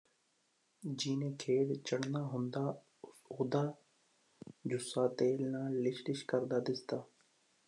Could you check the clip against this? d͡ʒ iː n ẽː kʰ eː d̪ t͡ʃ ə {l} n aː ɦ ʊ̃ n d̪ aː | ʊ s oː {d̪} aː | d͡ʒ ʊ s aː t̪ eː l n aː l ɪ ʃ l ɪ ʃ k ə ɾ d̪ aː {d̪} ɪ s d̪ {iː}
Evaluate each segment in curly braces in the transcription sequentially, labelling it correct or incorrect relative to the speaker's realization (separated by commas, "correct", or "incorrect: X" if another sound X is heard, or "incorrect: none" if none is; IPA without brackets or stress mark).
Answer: incorrect: ɽ, correct, correct, incorrect: aː